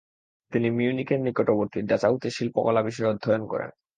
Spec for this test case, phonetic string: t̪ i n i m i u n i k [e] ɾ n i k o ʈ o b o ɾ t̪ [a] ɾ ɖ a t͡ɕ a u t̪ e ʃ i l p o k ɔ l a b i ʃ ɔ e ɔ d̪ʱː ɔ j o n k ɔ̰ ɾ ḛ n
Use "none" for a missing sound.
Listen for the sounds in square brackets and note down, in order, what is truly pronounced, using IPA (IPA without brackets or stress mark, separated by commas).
e, i